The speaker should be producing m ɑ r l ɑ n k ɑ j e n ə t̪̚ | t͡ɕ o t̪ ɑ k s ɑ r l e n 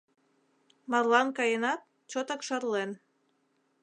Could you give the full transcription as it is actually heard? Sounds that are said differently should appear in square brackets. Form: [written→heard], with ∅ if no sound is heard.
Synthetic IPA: m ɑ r l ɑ n k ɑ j e n [ə→ɑ] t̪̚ | t͡ɕ o t̪ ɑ k [s→ʃ] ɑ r l e n